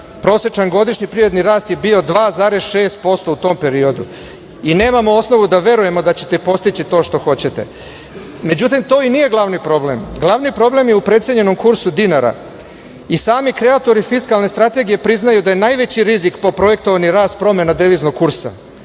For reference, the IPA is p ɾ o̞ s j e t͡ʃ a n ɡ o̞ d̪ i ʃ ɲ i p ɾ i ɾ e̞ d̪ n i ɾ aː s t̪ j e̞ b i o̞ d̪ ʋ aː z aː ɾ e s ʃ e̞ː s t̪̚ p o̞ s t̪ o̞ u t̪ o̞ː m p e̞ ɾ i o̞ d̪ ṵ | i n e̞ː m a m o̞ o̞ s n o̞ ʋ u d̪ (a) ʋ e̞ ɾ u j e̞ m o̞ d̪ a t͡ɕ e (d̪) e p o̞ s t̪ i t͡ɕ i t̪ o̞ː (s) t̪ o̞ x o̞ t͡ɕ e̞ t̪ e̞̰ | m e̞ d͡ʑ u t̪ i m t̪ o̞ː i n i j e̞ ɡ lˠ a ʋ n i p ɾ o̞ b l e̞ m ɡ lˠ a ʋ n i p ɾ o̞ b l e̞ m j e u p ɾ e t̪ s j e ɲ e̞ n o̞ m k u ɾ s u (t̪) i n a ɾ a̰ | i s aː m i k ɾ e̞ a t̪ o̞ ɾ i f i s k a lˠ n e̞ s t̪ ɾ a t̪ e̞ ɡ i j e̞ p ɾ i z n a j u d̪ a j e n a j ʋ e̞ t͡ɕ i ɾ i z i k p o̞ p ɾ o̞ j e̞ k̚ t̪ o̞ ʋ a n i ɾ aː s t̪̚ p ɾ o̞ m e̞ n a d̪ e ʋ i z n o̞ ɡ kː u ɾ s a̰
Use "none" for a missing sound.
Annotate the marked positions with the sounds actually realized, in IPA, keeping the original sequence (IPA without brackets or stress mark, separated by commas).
a, t̪, ʃ, d̪